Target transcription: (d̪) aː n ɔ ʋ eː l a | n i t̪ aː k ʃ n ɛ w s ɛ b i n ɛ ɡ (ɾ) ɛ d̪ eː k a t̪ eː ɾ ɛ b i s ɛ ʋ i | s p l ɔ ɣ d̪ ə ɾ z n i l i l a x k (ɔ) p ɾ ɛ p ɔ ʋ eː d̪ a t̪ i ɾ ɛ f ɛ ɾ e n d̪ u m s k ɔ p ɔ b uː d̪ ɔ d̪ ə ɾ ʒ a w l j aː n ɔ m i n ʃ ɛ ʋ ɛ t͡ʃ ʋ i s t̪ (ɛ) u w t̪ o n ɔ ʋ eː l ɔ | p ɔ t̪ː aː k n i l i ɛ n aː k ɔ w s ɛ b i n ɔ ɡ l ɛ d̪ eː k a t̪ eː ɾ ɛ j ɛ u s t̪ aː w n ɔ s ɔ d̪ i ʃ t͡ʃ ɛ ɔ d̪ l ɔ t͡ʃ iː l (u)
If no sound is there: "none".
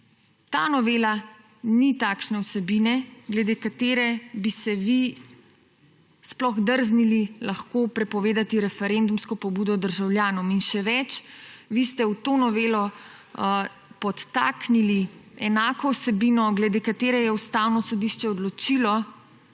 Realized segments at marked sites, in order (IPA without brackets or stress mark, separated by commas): t̪, l, o, ɛ, ɔ